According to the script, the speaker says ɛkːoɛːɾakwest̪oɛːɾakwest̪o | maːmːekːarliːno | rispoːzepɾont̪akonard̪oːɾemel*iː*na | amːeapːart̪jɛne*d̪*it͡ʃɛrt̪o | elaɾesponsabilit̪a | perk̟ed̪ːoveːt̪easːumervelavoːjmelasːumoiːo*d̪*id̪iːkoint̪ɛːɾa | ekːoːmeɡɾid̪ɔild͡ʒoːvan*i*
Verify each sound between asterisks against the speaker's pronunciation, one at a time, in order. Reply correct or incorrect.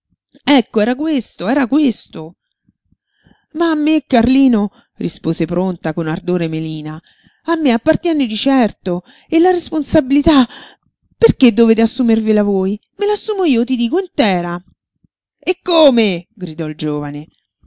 correct, correct, incorrect, incorrect

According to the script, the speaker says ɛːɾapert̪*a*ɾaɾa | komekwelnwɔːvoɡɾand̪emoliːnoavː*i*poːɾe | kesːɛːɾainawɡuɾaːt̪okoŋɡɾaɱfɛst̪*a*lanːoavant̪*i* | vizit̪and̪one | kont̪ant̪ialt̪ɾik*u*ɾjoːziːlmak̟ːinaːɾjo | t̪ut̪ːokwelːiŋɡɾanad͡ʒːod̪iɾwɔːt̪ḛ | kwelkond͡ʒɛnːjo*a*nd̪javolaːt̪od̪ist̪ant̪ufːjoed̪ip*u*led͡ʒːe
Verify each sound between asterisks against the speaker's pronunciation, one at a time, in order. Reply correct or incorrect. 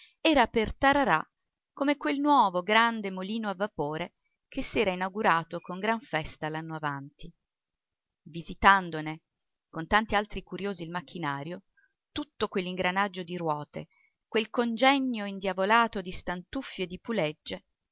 correct, incorrect, correct, correct, correct, incorrect, correct

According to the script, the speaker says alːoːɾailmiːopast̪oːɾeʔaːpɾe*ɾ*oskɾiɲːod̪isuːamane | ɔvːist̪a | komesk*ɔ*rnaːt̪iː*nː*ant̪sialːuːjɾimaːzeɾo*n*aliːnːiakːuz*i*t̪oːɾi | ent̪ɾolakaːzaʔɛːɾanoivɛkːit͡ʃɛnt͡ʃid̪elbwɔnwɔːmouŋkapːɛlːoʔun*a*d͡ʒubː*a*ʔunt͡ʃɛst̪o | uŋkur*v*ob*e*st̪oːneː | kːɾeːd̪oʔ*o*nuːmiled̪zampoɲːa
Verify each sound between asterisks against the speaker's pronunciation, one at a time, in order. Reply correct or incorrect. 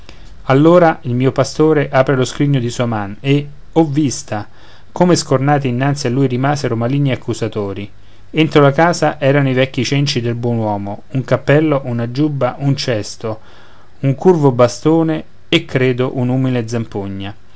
incorrect, incorrect, correct, incorrect, incorrect, correct, correct, correct, incorrect, incorrect

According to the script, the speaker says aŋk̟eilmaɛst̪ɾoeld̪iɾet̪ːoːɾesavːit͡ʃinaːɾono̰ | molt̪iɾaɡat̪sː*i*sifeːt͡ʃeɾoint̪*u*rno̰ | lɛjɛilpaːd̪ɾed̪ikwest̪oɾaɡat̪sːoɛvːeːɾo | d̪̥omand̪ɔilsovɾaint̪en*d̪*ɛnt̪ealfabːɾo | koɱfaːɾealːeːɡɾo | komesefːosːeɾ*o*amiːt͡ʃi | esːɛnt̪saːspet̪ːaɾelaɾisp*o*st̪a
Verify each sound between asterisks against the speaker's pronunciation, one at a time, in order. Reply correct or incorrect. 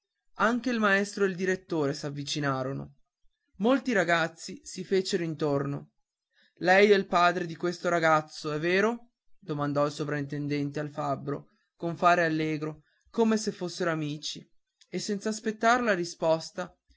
correct, incorrect, correct, correct, incorrect

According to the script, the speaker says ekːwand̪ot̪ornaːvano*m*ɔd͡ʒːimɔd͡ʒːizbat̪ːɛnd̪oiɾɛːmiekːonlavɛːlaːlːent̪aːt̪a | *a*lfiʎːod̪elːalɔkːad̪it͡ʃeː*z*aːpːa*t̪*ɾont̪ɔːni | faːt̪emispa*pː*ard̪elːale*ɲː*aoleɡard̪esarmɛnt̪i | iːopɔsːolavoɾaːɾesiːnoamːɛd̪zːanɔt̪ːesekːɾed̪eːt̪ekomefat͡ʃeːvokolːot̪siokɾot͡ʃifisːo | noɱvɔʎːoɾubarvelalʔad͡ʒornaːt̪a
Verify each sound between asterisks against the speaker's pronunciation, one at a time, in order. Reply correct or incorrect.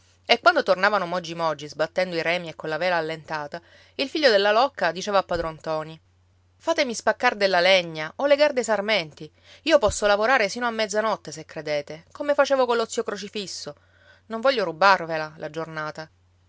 correct, incorrect, incorrect, incorrect, incorrect, correct

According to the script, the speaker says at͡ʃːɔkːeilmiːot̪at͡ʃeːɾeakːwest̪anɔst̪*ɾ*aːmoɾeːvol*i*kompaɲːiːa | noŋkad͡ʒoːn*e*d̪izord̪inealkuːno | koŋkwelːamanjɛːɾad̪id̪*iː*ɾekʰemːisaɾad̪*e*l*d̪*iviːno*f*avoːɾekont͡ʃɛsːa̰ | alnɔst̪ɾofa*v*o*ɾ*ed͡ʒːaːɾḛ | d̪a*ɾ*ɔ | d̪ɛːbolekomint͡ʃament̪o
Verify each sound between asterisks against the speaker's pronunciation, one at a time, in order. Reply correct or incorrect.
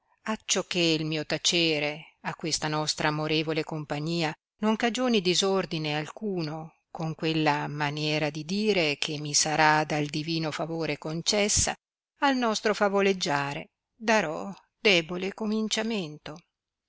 correct, incorrect, incorrect, correct, incorrect, correct, correct, correct, incorrect, correct

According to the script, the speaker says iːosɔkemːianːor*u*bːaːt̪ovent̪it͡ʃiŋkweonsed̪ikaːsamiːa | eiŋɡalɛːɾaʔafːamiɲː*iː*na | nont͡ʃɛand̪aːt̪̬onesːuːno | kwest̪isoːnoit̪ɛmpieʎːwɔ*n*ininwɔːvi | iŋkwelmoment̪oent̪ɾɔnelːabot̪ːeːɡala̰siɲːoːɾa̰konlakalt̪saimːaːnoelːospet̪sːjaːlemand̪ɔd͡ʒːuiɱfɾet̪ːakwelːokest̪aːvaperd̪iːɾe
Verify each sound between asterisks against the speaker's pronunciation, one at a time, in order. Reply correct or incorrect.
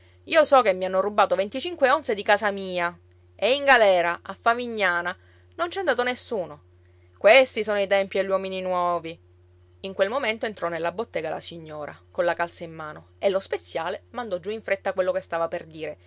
correct, incorrect, incorrect

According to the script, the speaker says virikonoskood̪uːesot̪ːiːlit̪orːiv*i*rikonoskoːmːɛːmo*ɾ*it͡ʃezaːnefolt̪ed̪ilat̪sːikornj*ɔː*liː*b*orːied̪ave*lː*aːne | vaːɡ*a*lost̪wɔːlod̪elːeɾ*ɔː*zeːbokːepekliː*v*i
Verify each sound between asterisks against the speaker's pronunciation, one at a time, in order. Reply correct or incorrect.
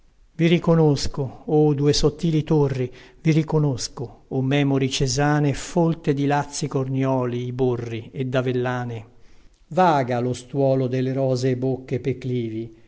correct, correct, correct, correct, correct, correct, correct, correct

